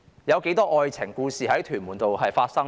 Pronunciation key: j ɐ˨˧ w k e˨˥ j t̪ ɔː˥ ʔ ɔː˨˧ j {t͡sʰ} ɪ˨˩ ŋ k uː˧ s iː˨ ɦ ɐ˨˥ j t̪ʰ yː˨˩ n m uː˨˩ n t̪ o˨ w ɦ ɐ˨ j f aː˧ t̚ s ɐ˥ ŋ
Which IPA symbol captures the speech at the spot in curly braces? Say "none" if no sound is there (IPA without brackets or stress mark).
t͡sʰ